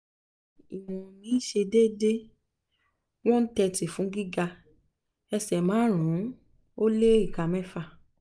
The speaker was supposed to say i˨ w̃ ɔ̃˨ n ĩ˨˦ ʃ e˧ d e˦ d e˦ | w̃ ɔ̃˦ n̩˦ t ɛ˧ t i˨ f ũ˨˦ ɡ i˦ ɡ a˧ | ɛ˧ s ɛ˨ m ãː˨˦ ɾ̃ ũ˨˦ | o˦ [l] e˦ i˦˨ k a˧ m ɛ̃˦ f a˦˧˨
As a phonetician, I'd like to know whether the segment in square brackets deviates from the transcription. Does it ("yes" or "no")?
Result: no